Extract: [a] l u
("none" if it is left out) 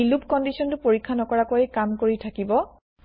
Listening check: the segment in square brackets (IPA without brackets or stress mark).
i